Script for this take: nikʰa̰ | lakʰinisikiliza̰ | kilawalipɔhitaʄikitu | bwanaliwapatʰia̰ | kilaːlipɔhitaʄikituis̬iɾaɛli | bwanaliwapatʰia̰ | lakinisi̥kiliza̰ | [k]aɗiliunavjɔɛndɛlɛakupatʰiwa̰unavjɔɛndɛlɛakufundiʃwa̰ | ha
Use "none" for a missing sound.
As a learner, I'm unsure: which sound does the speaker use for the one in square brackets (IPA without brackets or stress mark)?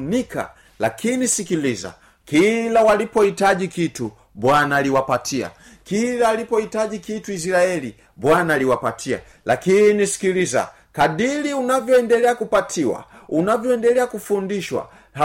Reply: k